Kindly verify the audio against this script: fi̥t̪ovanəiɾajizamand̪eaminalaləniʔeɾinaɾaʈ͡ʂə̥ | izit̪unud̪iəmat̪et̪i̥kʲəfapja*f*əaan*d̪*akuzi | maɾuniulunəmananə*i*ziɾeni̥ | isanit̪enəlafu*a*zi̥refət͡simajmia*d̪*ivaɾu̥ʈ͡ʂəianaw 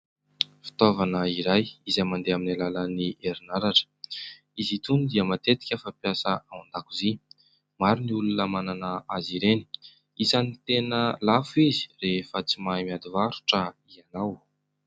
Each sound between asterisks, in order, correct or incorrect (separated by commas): incorrect, correct, incorrect, incorrect, correct